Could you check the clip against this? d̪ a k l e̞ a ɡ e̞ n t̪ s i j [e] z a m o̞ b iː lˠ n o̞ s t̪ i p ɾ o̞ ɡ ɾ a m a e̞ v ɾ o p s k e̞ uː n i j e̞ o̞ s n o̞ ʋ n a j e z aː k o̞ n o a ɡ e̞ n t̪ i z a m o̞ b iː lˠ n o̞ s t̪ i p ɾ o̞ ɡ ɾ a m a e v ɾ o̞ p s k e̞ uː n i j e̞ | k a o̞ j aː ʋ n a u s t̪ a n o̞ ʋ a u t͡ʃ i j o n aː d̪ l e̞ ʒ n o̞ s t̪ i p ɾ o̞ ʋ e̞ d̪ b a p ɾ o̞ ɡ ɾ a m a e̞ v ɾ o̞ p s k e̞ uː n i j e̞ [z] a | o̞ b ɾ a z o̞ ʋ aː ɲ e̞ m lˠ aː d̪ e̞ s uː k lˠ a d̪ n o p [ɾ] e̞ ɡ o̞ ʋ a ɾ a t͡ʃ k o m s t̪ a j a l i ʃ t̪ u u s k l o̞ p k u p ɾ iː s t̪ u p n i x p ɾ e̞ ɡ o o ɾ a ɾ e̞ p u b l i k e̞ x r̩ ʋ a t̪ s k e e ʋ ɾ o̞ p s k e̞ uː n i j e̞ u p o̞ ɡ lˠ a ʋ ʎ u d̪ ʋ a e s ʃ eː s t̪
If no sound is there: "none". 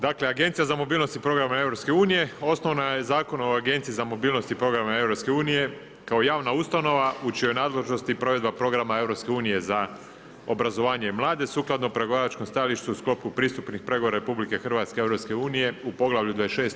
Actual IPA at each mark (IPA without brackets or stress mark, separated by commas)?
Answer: a, z, ɾ